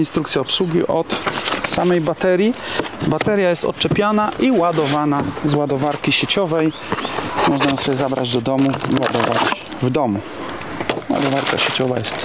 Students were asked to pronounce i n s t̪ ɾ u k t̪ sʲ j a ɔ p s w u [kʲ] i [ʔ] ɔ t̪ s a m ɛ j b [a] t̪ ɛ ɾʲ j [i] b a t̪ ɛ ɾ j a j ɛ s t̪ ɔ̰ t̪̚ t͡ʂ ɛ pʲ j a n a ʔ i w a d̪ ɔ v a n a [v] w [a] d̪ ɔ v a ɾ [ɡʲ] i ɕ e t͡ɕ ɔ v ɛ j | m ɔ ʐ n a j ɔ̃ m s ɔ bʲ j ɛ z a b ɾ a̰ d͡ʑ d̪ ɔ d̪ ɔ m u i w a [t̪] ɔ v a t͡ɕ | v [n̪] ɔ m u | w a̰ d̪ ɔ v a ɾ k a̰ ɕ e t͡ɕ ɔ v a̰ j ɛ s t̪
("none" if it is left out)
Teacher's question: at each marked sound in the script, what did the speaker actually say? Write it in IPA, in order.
ɡʲ, ʔ, a, i, z, a, kʲ, d̪, d̪

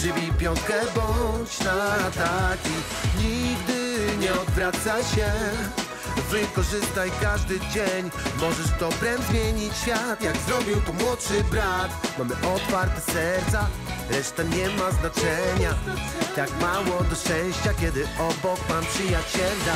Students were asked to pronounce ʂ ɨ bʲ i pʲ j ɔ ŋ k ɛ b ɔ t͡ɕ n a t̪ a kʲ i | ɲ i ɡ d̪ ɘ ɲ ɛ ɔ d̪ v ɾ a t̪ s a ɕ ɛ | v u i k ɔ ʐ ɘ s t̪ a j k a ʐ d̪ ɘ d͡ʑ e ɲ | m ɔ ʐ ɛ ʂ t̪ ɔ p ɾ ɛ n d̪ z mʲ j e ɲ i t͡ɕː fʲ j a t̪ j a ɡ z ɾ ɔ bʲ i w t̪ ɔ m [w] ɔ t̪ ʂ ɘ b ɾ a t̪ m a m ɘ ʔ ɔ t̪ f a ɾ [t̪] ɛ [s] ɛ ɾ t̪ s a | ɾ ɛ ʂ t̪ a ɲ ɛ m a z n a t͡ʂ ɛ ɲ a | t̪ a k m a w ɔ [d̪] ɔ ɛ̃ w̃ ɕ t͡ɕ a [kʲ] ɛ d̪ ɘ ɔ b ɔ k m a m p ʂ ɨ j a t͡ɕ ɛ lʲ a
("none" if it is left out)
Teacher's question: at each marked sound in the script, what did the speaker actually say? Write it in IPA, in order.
w, t̪, s, d̪, kʲ

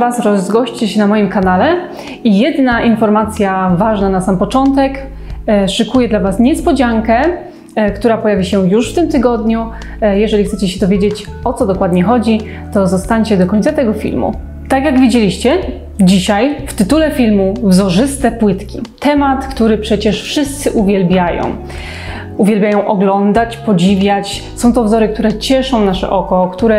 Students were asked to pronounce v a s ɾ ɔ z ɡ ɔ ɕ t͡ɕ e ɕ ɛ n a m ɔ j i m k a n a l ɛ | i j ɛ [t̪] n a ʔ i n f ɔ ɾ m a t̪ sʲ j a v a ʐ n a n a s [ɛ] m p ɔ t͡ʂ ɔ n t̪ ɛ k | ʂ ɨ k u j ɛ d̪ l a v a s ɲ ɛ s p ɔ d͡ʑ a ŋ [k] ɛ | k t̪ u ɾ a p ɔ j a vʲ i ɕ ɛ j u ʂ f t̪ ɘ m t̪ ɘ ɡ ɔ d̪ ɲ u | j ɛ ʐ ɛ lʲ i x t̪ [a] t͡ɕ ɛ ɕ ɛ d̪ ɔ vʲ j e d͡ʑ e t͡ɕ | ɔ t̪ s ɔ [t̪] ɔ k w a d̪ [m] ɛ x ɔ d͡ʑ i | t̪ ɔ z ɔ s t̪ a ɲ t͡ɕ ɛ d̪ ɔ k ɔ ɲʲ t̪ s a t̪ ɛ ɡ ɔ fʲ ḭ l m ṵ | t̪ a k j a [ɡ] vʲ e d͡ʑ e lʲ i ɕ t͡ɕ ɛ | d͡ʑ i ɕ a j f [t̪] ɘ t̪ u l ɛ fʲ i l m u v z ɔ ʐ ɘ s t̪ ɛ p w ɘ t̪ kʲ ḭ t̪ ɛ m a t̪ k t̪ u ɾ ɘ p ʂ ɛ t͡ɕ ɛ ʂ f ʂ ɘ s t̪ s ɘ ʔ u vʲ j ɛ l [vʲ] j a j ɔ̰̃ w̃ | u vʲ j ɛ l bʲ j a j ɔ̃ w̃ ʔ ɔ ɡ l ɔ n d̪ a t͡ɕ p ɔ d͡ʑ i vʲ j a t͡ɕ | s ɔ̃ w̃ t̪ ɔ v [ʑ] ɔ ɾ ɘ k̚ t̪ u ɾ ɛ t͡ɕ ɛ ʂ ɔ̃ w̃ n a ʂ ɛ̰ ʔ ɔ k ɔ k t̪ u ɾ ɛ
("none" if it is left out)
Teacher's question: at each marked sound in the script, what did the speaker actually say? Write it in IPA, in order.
d̪, a, k, ɛ, d̪, ɲ, ɡ, t̪, bʲ, z

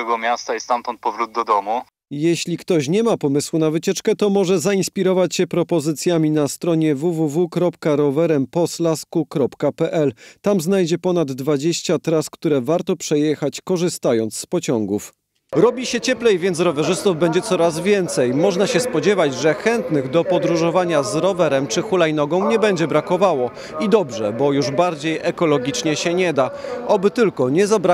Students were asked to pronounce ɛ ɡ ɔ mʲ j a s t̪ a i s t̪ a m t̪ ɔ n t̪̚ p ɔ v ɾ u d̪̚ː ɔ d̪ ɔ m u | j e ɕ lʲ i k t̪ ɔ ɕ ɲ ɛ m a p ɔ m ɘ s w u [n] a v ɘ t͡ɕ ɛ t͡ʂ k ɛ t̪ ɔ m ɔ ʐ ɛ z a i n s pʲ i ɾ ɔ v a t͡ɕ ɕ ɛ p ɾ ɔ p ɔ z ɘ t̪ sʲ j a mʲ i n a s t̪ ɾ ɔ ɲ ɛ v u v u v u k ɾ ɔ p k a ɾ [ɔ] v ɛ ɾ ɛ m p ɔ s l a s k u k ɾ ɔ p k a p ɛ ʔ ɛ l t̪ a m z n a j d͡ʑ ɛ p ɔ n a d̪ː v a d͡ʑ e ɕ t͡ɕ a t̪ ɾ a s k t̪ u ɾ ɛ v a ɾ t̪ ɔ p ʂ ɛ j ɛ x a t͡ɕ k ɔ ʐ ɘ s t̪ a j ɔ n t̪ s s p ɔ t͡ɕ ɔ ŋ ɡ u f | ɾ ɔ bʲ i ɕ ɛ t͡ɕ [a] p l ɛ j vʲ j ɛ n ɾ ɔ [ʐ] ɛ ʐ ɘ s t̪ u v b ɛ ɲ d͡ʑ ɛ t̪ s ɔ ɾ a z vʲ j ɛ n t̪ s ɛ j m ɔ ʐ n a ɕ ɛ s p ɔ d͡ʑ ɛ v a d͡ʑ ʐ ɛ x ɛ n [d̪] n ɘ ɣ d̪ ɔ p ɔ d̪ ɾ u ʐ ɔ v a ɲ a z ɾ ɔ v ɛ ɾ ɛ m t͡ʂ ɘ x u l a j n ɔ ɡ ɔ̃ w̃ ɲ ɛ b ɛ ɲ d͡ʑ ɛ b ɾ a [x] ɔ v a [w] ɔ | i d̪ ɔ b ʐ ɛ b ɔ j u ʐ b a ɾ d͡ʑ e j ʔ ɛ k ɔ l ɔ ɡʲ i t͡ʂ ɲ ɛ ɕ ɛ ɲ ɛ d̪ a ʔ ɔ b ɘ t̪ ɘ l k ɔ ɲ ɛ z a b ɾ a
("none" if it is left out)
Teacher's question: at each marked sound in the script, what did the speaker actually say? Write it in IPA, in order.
n, ɔ, ɛ, v, t̪, k, w

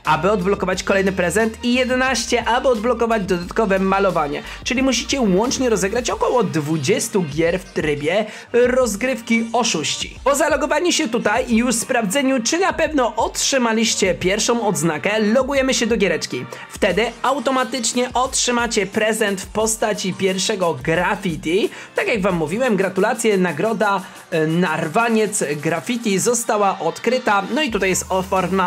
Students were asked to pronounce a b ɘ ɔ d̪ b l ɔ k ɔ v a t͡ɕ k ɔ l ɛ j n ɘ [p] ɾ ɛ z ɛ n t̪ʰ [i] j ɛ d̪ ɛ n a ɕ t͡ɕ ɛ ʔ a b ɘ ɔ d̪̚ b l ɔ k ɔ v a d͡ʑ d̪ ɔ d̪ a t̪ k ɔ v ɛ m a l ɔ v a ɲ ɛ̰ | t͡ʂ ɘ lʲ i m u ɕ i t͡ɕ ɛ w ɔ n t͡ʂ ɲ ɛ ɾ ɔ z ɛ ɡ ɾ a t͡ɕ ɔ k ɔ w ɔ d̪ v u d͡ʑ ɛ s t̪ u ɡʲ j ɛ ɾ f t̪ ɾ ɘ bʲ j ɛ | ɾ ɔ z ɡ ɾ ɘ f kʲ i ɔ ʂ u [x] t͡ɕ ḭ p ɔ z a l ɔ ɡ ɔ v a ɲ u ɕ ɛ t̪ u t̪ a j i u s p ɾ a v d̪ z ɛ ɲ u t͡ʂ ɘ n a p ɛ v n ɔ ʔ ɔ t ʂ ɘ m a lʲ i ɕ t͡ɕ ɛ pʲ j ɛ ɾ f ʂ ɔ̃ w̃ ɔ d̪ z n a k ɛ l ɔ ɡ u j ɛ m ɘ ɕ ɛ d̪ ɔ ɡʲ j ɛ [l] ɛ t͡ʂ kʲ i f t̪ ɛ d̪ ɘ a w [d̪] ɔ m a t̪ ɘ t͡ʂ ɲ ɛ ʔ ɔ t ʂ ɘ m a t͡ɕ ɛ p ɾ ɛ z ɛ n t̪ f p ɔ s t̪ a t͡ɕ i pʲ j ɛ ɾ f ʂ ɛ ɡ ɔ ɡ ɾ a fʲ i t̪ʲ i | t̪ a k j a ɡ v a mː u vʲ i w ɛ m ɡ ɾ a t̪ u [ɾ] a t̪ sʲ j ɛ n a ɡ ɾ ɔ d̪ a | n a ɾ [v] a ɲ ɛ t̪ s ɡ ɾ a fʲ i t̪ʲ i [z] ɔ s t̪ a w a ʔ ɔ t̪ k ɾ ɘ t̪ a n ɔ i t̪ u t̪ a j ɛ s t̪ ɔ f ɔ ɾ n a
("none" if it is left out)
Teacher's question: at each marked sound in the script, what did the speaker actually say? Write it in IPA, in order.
p, i, ɕ, ɾ, t̪, l, v, z

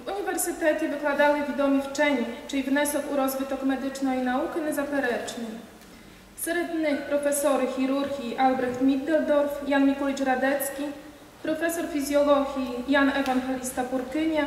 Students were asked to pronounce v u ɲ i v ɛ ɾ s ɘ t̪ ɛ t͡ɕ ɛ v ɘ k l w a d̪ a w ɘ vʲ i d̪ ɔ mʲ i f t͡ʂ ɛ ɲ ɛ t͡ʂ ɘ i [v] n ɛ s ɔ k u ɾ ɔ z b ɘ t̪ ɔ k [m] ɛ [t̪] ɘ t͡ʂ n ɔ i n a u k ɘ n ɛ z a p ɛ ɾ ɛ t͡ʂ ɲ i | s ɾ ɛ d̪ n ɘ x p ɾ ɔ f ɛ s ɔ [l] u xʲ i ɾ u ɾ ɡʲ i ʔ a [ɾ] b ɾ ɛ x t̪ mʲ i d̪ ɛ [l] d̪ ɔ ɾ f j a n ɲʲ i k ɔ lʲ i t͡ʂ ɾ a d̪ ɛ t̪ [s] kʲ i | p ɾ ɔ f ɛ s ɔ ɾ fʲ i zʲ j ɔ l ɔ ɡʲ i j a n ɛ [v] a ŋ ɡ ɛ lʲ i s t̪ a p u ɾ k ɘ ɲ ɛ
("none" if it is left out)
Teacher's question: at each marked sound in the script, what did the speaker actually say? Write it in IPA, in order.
v, m, d̪, ɾ, l, l, s, v

